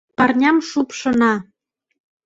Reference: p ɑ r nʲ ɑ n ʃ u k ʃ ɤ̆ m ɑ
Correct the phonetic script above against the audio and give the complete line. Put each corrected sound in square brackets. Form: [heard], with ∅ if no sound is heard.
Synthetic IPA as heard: p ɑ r nʲ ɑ [m] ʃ u [p] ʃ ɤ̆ [n] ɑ